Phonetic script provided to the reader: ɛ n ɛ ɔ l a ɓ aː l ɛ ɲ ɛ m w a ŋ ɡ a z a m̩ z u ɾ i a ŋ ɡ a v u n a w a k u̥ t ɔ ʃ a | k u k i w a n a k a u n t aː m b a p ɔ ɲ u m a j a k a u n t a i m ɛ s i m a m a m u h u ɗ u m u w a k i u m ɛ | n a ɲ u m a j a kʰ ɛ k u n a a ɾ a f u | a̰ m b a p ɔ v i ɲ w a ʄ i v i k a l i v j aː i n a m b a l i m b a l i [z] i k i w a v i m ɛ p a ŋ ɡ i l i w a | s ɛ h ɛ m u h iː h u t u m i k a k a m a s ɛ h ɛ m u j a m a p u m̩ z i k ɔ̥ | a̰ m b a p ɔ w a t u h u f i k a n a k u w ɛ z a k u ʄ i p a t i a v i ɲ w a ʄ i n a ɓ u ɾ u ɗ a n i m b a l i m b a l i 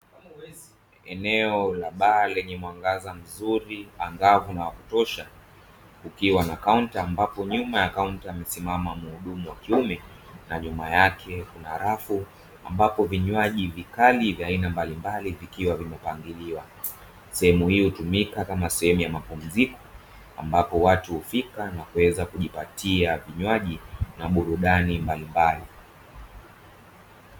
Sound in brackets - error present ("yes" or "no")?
yes